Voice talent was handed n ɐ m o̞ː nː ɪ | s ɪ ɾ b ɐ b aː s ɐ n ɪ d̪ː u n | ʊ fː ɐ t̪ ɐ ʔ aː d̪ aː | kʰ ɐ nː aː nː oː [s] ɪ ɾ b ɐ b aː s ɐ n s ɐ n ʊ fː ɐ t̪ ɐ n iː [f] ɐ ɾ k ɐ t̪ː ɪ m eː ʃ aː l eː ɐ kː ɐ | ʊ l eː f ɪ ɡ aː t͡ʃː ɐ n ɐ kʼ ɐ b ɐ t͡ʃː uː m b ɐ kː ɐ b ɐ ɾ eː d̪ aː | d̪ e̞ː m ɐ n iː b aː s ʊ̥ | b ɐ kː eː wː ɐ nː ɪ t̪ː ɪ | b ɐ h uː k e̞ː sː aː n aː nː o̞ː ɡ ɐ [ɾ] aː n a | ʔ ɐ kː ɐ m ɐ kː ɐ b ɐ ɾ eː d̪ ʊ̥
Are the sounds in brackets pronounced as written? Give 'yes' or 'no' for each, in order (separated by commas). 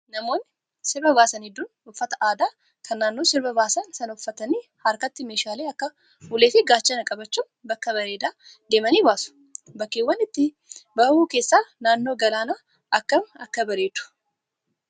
yes, no, no